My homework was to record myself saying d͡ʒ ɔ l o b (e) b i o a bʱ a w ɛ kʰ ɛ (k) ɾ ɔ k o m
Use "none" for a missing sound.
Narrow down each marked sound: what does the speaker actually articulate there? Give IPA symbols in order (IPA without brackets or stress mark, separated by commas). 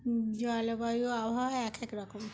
a, k